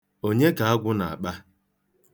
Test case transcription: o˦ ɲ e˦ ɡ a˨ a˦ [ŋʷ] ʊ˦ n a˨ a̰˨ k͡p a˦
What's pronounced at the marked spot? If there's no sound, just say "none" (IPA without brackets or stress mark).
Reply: ɡʷ